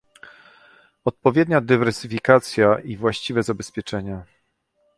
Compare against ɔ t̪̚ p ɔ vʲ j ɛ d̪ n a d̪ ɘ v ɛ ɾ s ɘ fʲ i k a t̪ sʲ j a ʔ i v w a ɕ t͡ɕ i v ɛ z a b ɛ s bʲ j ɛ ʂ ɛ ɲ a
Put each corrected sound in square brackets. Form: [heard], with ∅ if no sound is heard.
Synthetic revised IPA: ɔ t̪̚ p ɔ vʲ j ɛ d̪ [ɲ] a d̪ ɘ v ɛ ɾ s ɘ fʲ i k a t̪ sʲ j a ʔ i v w a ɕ t͡ɕ i v ɛ z a b ɛ s [pʲ] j ɛ [t͡ʂ] ɛ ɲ a